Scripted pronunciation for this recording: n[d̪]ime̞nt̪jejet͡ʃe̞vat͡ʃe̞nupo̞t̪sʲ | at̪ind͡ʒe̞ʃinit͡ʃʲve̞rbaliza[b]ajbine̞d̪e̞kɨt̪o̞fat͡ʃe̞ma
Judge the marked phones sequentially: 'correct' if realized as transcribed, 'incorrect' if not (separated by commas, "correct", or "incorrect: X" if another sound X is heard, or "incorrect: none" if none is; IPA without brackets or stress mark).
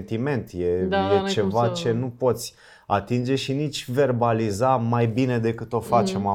incorrect: t̪, incorrect: m